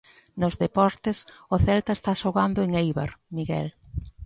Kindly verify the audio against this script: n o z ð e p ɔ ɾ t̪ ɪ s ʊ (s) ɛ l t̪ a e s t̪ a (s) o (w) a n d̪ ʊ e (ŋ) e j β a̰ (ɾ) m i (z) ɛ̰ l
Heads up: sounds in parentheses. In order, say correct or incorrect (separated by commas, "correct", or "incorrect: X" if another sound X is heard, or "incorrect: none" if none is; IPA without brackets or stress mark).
incorrect: θ, incorrect: ʃ, incorrect: ɣ, correct, correct, incorrect: ɣ